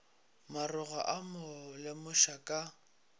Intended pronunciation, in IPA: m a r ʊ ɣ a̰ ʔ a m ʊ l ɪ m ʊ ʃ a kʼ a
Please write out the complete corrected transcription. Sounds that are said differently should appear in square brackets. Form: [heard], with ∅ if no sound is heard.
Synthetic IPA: m a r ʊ ɣ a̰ ʔ a m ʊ l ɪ m ʊ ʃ a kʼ a